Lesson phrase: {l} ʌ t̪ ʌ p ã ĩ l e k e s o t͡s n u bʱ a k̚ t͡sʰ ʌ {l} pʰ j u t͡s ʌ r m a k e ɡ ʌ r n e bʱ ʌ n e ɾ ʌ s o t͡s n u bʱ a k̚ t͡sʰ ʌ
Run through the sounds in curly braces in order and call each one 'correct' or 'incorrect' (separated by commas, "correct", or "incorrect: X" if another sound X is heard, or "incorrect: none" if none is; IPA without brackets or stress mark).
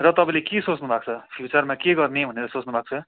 incorrect: r, incorrect: none